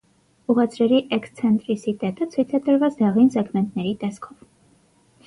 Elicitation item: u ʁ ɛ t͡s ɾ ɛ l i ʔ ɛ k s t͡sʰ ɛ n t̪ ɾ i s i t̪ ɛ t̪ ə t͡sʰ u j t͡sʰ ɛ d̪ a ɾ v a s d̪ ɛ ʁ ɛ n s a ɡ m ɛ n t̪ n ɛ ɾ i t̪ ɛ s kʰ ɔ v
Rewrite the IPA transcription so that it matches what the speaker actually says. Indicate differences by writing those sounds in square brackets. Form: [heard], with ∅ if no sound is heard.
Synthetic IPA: u ʁ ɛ t͡s ɾ ɛ [ɾ] i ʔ ɛ k s t͡sʰ ɛ n t̪ ɾ i s i t̪ ɛ t̪ ə t͡sʰ u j t͡sʰ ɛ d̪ [ə] ɾ v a [t͡s] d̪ ɛ ʁ [i] n s [ɛ] ɡ m ɛ n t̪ n ɛ ɾ i t̪ ɛ s kʰ ɔ v